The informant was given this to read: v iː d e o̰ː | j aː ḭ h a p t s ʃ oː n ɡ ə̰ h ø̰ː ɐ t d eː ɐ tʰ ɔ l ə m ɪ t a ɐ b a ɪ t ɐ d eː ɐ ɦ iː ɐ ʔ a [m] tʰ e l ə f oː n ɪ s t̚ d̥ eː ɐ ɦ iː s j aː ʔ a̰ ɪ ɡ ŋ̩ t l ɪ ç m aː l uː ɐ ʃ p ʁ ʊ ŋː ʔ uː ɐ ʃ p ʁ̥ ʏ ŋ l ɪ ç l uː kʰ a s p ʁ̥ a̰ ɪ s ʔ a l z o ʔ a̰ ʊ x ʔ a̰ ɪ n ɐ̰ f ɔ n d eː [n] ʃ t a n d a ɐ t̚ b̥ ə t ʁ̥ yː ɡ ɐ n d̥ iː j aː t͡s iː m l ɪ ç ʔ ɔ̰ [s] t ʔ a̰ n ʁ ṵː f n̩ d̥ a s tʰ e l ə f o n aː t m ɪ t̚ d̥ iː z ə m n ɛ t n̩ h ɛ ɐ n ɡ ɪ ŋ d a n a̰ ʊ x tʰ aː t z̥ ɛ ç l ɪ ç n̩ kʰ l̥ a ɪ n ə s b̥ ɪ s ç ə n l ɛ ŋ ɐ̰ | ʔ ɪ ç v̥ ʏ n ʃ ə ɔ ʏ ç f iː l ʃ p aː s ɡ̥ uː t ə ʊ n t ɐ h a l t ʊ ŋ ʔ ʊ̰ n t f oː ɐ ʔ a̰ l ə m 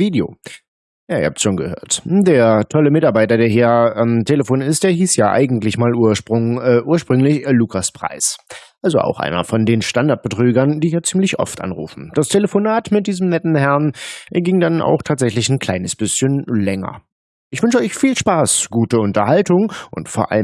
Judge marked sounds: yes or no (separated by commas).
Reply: yes, yes, no